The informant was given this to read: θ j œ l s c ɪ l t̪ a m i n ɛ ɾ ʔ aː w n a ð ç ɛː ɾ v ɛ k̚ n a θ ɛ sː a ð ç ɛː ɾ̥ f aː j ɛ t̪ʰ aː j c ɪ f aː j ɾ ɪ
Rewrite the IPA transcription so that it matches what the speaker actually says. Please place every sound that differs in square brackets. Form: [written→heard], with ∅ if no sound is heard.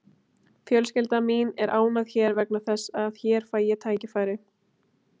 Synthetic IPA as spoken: [θ→f] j œ l s c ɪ l t̪ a m i n ɛ ɾ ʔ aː w n a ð ç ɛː ɾ v ɛ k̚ n a θ ɛ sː a ð ç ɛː ɾ̥ f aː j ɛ t̪ʰ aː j c ɪ f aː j ɾ ɪ